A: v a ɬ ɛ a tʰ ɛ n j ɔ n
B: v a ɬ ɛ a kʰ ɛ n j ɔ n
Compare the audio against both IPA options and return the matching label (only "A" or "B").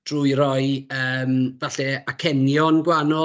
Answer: B